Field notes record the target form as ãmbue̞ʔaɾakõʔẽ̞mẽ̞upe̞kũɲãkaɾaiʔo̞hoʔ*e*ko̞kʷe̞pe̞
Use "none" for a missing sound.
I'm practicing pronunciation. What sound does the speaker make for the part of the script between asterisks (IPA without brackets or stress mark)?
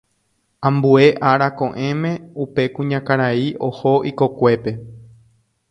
i